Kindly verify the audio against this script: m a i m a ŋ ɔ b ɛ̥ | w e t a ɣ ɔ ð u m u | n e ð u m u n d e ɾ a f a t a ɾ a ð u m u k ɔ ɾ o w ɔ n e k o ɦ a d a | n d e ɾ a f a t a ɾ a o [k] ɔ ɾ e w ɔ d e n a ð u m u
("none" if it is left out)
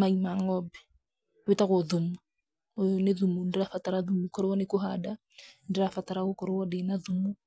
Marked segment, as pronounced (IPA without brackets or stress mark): k